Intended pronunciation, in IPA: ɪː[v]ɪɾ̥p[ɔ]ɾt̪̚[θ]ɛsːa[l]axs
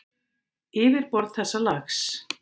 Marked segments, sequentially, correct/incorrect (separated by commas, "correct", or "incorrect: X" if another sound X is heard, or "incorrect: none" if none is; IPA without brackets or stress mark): correct, correct, correct, correct